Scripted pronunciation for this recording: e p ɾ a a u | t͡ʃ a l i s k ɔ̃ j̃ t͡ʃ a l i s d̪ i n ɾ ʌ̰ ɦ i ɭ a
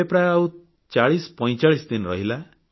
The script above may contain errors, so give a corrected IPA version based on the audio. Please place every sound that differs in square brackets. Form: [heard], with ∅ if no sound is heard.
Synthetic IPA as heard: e p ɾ a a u | t͡ʃ a [ɭ] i s [p] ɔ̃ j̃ t͡ʃ a [ɭ] i s d̪ i n ɾ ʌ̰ ɦ i [l] a

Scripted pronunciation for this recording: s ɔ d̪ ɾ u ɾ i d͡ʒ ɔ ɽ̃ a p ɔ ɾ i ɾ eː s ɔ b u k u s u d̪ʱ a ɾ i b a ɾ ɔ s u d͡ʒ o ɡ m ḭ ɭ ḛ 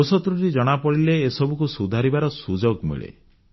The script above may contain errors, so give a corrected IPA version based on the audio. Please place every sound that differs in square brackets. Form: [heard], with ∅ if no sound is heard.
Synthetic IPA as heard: s ɔ [t̪] ɾ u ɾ i d͡ʒ ɔ ɽ̃ a p ɔ [ɽ] i [l] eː s ɔ b u k u s u d̪ʱ a ɾ i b a ɾ ɔ s u d͡ʒ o ɡ m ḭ ɭ ḛ

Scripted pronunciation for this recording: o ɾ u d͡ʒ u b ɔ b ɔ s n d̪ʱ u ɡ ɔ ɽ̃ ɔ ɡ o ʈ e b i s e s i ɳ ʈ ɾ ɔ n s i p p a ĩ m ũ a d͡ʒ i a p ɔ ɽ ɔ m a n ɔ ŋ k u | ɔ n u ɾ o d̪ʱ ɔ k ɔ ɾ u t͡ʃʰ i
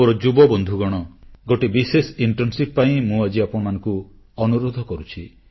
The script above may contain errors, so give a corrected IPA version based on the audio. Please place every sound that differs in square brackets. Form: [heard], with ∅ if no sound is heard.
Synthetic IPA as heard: o ɾ [ɔ] d͡ʒ u b ɔ b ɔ [∅] n d̪ʱ u ɡ ɔ ɽ̃ ɔ ɡ o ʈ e b i s e s i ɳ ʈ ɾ ɔ n s i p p a ĩ m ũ a d͡ʒ i a p ɔ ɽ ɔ m a n ɔ ŋ k u | ɔ n u ɾ o d̪ʱ ɔ k ɔ ɾ u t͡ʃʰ i

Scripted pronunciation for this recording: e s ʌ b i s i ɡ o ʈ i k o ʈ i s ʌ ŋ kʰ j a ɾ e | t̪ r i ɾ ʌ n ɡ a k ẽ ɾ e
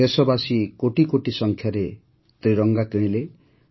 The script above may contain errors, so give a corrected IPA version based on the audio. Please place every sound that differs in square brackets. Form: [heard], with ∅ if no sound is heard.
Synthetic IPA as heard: e s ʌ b [a] s i [k] o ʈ i k o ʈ i s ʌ ŋ kʰ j a ɾ e | t̪ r i ɾ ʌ [ŋ] ɡ a k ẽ [l] e

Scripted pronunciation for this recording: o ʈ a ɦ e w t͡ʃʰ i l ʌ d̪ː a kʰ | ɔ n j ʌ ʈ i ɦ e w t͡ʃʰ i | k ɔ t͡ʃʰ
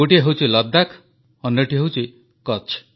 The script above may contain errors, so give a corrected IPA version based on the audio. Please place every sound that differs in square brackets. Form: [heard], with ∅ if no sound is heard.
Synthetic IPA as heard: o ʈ [i] ɦ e w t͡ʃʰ i l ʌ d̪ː a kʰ | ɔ n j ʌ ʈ i ɦ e w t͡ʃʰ i | k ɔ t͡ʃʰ

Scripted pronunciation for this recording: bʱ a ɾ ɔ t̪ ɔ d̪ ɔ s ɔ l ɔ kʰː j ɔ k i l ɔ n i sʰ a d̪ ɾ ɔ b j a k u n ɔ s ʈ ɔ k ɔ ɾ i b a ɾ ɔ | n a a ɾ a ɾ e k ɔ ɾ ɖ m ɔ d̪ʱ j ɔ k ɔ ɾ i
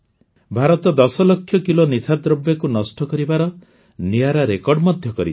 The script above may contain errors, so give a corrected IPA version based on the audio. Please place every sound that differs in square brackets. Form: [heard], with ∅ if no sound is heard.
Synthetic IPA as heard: bʱ a ɾ ɔ t̪ ɔ d̪ ɔ s ɔ l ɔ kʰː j ɔ k i l [o] n i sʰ a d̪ ɾ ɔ b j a k u n ɔ s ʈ ɔ k ɔ ɾ i b a ɾ ɔ | n [i] a ɾ a ɾ e k ɔ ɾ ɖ m ɔ d̪ʱ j ɔ k ɔ ɾ i

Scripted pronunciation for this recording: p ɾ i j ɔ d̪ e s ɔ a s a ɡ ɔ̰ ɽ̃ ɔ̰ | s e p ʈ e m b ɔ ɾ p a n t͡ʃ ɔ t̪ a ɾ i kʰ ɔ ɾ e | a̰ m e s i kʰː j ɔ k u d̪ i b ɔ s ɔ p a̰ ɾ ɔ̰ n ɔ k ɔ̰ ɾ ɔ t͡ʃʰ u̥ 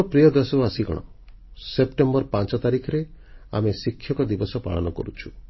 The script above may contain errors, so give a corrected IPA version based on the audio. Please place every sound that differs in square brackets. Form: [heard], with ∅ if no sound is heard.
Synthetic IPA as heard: p ɾ i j ɔ d̪ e s ɔ a s [i] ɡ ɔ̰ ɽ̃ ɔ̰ | s e p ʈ e m b ɔ ɾ p a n t͡ʃ ɔ t̪ a ɾ i kʰ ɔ ɾ e | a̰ m e s i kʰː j ɔ k [ɔ] d̪ i b ɔ s ɔ p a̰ [ɭ] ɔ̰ n ɔ k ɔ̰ ɾ [u] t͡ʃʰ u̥

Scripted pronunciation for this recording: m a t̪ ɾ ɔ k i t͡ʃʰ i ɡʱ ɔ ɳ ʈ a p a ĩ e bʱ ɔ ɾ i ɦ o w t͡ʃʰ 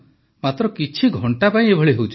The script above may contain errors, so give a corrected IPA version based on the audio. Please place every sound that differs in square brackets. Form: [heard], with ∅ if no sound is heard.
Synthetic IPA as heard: m a t̪ ɾ ɔ k i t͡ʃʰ i ɡʱ ɔ ɳ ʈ a p a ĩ e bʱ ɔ [ɭ] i ɦ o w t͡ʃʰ

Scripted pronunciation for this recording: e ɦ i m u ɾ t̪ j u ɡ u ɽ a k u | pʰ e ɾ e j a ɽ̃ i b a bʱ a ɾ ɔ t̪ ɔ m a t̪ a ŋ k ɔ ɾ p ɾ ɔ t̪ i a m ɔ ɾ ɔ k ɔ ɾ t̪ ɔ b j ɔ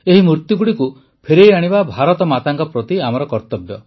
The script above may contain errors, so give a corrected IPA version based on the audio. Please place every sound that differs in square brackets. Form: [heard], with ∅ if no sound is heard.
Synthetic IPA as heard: e ɦ i m u ɾ t̪ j u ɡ u ɽ [i] k u | pʰ e ɾ e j a ɽ̃ i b a bʱ a ɾ ɔ t̪ ɔ m a t̪ a ŋ k ɔ [∅] p ɾ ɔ t̪ i a m ɔ ɾ ɔ k ɔ ɾ t̪ ɔ b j ɔ

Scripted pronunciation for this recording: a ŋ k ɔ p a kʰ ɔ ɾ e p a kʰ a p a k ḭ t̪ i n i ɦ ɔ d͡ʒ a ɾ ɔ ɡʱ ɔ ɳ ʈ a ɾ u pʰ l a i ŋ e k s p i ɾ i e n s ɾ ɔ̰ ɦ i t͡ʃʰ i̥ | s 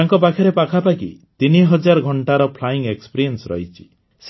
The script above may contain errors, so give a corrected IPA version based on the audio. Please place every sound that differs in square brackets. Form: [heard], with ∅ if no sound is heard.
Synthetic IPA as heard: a ŋ k ɔ p a kʰ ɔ ɾ e p a kʰ a p a k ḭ t̪ i n i ɦ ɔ d͡ʒ a ɾ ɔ ɡʱ ɔ ɳ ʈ a ɾ [ɔ] pʰ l a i ŋ e k s p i ɾ i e n s ɾ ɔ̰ ɦ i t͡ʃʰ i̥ | s

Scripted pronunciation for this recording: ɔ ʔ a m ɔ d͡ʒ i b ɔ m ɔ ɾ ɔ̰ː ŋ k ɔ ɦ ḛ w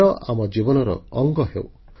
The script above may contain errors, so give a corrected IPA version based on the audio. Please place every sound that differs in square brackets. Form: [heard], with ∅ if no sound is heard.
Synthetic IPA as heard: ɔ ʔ a m ɔ d͡ʒ i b ɔ [n] ɔ ɾ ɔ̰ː ŋ [ɡ] ɔ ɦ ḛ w

